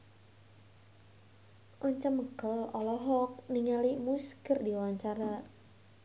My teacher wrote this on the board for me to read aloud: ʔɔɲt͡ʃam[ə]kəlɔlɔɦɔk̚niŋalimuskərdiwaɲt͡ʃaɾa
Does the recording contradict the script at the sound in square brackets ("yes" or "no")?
no